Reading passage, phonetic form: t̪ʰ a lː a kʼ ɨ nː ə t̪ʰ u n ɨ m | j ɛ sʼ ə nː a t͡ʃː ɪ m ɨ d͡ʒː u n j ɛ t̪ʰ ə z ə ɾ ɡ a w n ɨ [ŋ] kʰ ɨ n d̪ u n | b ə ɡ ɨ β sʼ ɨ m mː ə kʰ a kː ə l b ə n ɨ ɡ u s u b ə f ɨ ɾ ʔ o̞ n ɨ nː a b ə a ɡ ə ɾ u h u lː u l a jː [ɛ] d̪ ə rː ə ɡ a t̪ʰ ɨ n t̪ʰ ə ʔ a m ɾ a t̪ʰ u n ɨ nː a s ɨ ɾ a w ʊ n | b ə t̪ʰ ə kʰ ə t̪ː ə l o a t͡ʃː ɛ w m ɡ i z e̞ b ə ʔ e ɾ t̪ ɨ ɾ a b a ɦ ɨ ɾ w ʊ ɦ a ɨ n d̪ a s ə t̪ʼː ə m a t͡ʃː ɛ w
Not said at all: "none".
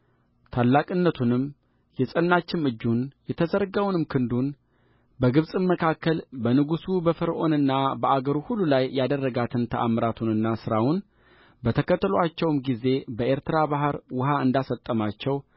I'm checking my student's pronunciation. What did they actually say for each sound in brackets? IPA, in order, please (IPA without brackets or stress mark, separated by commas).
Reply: m, a